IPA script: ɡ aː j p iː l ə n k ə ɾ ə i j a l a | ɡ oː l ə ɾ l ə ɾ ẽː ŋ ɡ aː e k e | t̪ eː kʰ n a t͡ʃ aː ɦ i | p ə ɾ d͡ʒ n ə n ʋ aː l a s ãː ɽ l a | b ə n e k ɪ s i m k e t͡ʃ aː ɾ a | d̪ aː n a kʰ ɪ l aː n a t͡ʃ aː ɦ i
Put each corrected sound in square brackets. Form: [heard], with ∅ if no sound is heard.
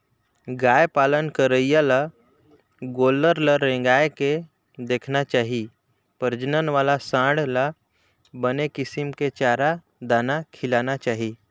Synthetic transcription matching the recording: ɡ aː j p [aː] l ə n k ə ɾ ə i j a l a | ɡ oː l ə ɾ l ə ɾ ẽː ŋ ɡ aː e k e | [d̪] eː kʰ n a t͡ʃ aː ɦ i | p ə ɾ d͡ʒ n ə n ʋ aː l a s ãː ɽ l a | b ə n e k ɪ s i m k e t͡ʃ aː ɾ a | d̪ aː n a kʰ ɪ l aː n a t͡ʃ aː ɦ i